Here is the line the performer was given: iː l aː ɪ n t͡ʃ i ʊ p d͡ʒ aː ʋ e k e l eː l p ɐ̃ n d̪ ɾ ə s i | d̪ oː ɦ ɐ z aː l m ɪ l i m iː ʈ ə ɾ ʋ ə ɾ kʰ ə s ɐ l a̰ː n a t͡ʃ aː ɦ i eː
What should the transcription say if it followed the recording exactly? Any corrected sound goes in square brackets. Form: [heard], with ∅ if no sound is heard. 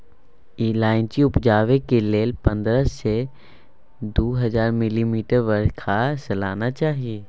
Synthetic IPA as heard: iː l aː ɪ n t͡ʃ i ʊ p d͡ʒ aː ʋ e k e l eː l p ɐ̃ n d̪ ɾ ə s [e] | d̪ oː ɦ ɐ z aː [ɾ] m ɪ l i m iː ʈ ə ɾ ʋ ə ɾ kʰ [a] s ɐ l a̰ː n a t͡ʃ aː ɦ i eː